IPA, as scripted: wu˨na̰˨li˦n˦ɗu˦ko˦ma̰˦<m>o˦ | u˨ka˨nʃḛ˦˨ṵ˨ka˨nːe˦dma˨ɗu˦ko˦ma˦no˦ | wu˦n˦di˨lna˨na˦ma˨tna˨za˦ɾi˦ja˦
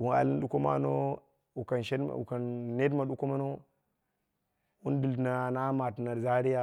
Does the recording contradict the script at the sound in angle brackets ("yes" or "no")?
yes